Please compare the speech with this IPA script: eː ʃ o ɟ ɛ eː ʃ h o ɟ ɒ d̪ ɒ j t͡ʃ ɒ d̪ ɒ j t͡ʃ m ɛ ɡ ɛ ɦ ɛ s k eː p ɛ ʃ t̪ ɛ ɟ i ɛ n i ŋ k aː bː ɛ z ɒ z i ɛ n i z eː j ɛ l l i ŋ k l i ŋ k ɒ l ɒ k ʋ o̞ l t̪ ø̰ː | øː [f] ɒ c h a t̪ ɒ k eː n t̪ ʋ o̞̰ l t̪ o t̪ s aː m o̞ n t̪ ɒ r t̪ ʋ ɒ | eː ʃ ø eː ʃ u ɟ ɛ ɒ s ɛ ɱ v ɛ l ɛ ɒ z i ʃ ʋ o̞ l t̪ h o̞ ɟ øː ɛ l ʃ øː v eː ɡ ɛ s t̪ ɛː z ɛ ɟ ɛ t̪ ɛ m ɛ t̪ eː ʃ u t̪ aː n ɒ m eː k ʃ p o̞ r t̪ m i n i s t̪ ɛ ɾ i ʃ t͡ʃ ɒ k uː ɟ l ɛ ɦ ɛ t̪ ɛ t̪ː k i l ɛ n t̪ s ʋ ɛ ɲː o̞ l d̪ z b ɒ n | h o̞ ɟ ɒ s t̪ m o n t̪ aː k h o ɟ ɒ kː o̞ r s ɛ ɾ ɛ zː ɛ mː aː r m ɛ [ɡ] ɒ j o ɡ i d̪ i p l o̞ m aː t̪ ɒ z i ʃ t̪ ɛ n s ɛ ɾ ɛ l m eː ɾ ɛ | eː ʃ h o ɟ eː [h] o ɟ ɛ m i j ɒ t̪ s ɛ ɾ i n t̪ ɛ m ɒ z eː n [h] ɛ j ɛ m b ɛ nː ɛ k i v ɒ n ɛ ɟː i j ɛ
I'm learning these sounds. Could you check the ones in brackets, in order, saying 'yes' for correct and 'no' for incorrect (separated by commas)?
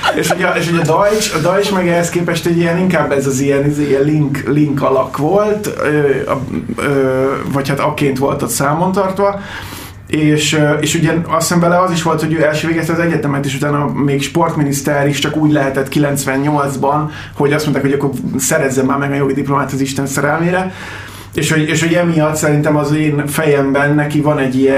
no, yes, no, no